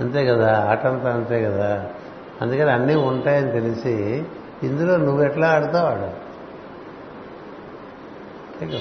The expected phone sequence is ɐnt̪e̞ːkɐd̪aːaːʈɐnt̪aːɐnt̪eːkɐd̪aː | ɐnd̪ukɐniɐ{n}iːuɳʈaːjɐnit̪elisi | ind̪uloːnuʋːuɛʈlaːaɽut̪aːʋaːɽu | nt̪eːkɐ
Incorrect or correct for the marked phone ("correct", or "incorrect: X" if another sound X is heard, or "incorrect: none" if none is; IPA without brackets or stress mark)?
incorrect: nː